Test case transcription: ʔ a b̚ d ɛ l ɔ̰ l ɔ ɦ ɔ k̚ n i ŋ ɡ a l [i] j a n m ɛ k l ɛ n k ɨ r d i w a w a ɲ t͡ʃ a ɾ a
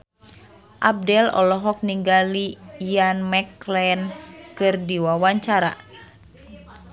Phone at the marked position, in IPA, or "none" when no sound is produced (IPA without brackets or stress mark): i